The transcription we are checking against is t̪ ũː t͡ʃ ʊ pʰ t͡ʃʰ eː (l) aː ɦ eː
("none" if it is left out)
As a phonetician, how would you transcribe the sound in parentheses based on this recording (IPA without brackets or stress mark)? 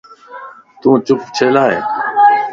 l